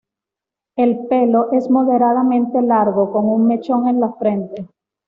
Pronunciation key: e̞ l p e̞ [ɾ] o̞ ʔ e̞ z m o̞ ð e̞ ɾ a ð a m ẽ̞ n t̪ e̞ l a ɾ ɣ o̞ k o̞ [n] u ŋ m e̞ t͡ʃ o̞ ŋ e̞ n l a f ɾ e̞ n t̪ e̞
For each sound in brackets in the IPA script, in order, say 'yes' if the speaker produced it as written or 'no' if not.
no, no

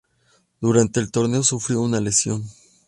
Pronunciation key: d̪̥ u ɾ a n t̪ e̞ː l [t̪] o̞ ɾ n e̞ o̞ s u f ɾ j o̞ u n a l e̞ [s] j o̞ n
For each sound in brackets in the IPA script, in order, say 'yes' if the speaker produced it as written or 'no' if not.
yes, yes

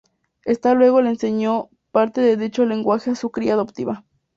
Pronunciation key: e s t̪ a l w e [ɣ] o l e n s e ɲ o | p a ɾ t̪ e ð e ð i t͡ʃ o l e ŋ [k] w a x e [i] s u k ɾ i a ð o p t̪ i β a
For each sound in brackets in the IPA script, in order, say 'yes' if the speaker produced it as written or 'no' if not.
yes, no, no

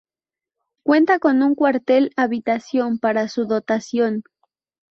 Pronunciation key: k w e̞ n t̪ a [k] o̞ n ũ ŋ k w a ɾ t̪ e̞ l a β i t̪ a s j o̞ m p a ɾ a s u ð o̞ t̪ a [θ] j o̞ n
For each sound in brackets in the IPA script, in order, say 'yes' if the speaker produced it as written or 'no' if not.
yes, no

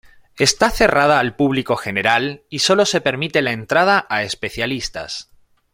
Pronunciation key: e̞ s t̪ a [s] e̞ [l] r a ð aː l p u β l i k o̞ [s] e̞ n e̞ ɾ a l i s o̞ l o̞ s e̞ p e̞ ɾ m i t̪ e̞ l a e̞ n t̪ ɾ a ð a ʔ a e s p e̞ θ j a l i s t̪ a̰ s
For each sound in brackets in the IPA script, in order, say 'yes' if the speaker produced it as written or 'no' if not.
no, no, no

